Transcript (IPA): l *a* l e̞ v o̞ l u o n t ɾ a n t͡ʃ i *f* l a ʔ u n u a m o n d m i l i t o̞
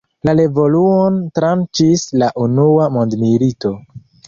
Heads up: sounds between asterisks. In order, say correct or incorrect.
correct, incorrect: s

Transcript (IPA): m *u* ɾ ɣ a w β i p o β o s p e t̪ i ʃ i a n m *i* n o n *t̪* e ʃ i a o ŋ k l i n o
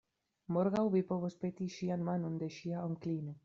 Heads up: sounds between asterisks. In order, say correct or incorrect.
incorrect: o, incorrect: a, incorrect: d̪

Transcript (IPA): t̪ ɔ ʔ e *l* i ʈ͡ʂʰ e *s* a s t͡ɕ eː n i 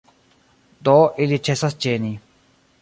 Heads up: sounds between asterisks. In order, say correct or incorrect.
correct, correct

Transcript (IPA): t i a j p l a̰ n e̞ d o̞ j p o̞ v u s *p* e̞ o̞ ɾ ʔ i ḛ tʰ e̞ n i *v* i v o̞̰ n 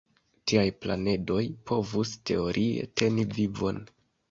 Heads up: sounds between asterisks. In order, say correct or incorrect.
incorrect: t, correct

